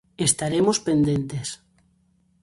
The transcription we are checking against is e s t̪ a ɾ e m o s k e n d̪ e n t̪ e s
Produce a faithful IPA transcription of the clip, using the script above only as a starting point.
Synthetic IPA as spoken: e s t̪ a ɾ e m o s p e n d̪ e n t̪ e s

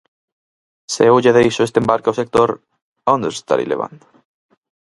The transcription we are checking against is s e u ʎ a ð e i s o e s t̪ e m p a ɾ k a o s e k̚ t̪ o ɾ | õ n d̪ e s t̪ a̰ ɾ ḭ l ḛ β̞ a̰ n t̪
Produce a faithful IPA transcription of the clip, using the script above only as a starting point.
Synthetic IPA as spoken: s e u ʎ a ð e i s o e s t̪ e m b a ɾ k a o s e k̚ t̪ o ɾ | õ n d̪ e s t̪ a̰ ɾ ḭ l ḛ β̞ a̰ n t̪

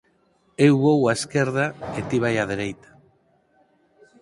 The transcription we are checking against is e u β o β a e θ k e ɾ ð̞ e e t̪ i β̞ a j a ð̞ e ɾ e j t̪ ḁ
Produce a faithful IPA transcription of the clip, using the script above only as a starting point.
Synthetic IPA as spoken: e w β o w a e s k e ɾ ð̞ a e t̪ i β̞ a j a ð̞ e ɾ e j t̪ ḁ

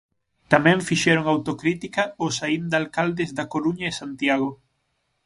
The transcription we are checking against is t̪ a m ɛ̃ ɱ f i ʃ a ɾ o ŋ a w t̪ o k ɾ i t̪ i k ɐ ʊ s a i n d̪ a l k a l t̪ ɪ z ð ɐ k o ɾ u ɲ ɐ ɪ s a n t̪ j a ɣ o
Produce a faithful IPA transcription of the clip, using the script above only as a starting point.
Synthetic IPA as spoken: t̪ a m ɛ̃ ɱ f i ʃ ɛ ɾ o ŋ a w t̪ o k ɾ i t̪ i k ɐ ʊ s a i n d̪ a l k a l d̪ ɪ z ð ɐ k o ɾ u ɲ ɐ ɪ s a n t̪ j a ɣ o

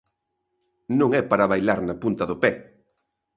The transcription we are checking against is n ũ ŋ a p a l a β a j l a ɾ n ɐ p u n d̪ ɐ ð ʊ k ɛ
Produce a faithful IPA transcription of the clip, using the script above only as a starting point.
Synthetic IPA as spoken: n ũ ŋ ɛ p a ɾ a β a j l a ɾ n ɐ p u n t̪ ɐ ð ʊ p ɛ

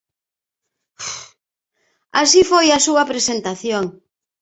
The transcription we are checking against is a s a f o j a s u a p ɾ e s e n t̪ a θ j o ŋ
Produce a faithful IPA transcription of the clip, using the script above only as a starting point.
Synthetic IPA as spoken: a s i f o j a s u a p ɾ e s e n t̪ a θ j o ŋ

